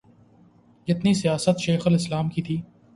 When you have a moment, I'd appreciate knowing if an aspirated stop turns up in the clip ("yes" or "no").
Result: yes